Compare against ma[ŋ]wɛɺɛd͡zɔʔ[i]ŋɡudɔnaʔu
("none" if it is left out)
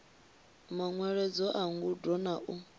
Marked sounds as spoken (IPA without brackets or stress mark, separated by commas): ŋ, a